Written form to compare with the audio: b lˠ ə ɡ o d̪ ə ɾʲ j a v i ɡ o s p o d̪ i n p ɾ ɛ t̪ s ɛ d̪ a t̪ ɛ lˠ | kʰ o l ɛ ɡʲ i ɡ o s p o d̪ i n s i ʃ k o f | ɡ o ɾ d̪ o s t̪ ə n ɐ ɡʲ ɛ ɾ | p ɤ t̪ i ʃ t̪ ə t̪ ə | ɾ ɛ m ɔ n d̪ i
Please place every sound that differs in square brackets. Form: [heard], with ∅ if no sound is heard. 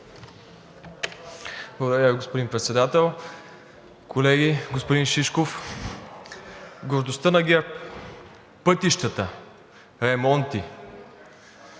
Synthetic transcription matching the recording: b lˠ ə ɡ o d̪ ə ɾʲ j a v i ɡ o s p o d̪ i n p ɾ ɛ t̪ s ɛ d̪ a t̪ ɛ lˠ | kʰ o l ɛ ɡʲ i ɡ o s p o d̪ i n [ʃ] i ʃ k o f | ɡ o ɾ d̪ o s t̪ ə n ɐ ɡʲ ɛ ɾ | p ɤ t̪ i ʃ t̪ ə t̪ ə | ɾ ɛ m ɔ n [t̪] i